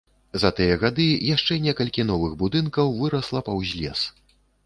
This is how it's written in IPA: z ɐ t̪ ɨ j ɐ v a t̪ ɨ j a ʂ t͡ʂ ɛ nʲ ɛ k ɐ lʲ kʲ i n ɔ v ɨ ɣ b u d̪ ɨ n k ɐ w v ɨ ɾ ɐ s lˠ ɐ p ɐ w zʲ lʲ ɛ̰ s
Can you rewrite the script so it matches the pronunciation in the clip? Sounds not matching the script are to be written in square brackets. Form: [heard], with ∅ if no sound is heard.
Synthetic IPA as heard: z ɐ t̪ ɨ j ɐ [ɣ] a [d̪] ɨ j a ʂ t͡ʂ ɛ nʲ ɛ k ɐ lʲ kʲ i n ɔ v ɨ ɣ b u d̪ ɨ n k ɐ w v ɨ ɾ ɐ s lˠ ɐ p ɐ w zʲ lʲ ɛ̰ s

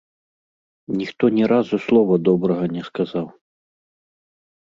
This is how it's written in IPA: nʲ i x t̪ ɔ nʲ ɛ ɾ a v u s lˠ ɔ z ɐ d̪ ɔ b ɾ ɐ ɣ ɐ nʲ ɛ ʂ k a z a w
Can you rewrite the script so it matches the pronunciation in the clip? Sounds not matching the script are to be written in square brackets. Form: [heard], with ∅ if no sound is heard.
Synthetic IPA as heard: nʲ i x t̪ ɔ nʲ ɛ ɾ a [z] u s lˠ ɔ [v] ɐ d̪ ɔ b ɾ ɐ ɣ ɐ nʲ ɛ [s] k a z a w

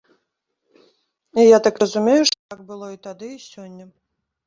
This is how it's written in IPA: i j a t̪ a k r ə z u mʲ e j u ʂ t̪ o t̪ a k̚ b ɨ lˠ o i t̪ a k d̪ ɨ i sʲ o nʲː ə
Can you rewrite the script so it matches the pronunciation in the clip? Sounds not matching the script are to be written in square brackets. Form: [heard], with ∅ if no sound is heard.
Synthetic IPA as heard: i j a t̪ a k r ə z u mʲ e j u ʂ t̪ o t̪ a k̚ b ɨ lˠ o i t̪ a [∅] d̪ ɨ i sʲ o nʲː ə

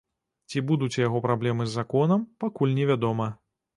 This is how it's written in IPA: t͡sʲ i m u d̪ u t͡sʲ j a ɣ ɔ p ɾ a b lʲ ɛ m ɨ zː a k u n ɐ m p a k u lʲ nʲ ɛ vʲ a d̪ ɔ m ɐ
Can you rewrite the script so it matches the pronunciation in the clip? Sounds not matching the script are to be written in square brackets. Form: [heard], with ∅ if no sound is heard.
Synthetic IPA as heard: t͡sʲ i [b] u d̪ u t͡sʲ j a ɣ ɔ p ɾ a b lʲ ɛ m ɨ zː a k [ɔ] n ɐ m p a k u lʲ nʲ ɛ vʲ a d̪ ɔ m ɐ

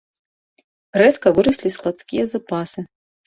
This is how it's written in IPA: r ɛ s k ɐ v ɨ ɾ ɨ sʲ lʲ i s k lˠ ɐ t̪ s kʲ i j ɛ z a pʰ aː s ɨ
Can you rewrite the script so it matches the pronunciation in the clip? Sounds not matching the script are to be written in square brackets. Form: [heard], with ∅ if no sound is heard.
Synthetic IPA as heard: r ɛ s k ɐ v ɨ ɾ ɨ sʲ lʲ i s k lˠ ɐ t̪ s kʲ i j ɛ z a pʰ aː s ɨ

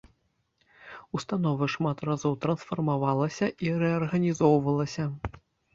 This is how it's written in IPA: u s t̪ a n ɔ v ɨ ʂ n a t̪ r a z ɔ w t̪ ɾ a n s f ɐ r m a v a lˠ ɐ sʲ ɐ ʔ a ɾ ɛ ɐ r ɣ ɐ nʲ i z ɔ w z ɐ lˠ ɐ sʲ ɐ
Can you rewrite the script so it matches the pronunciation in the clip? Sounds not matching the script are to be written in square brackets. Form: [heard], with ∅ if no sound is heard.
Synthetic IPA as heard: u s t̪ a n ɔ v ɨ ʂ [m] a t̪ r a z ɔ w t̪ ɾ [ɐ] n s f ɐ r m a v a lˠ ɐ sʲ ɐ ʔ [i] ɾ ɛ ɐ r ɣ ɐ nʲ i z ɔ w [v] ɐ lˠ ɐ sʲ ɐ

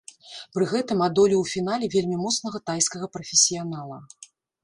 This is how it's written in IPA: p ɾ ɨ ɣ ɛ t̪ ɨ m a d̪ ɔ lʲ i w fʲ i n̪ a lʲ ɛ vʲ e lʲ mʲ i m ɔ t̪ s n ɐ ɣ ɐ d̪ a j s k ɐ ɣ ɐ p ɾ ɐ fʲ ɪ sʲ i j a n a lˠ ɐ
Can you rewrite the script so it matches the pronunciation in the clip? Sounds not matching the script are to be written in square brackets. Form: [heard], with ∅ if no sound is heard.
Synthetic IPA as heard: p ɾ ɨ ɣ ɛ t̪ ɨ m a d̪ ɔ lʲ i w fʲ i n̪ a lʲ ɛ vʲ e lʲ mʲ i m ɔ t̪ s n ɐ ɣ ɐ [t̪] a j s k ɐ ɣ ɐ p ɾ ɐ fʲ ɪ sʲ i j a n a lˠ ɐ

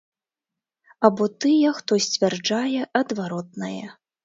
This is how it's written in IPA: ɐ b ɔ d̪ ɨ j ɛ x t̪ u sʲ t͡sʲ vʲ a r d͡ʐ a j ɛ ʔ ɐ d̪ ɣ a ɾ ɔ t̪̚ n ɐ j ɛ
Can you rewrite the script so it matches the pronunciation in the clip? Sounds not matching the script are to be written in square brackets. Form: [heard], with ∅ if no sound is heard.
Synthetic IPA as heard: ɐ b ɔ [t̪] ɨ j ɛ x t̪ [ɔ] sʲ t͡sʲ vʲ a r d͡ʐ a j ɛ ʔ ɐ d̪ [v] a ɾ ɔ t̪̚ n ɐ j ɛ

